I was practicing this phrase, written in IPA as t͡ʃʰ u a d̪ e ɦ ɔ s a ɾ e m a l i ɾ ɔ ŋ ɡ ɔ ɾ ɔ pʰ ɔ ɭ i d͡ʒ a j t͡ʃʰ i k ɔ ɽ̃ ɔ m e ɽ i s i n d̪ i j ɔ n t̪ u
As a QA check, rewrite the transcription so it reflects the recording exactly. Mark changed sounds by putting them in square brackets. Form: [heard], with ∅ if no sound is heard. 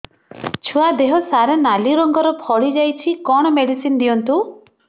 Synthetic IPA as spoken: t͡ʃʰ u a d̪ e ɦ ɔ s a ɾ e [n] a l i ɾ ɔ ŋ ɡ ɔ ɾ ɔ pʰ ɔ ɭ i d͡ʒ a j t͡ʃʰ i k ɔ ɽ̃ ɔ m e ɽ i s i n d̪ i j ɔ n t̪ u